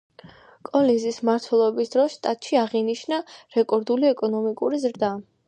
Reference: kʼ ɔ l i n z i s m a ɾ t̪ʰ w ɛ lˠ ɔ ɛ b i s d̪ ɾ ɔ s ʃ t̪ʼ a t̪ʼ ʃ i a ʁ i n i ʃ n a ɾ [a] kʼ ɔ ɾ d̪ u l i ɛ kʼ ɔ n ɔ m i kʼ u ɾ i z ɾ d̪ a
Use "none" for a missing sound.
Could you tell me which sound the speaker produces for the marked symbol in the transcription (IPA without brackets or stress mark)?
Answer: ɛ